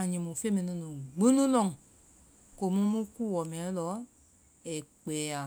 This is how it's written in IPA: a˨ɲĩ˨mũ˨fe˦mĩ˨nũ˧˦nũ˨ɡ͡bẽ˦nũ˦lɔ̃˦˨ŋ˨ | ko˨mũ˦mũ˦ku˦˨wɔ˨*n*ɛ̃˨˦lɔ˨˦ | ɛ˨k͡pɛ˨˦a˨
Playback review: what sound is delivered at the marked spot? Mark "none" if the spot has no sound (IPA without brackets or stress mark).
m